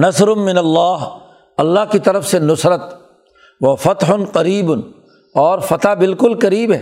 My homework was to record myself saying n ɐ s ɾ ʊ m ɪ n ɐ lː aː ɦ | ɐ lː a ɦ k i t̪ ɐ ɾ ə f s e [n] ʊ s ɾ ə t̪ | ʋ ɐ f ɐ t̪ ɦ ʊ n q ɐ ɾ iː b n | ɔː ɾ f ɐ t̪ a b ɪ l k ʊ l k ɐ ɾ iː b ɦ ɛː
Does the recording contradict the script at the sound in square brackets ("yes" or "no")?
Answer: no